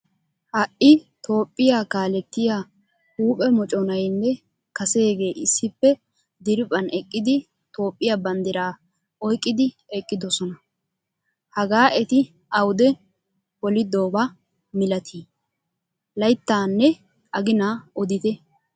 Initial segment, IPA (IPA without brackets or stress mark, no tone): h